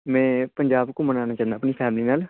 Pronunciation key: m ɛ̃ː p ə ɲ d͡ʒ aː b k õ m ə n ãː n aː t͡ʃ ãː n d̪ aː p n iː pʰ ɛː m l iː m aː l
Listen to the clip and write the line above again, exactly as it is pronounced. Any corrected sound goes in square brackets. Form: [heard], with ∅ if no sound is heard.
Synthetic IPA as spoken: m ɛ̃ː p ə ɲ d͡ʒ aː b k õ m ə n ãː n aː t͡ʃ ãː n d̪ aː p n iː pʰ ɛː m l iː [n] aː l